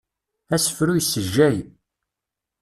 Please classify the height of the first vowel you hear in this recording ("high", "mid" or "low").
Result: low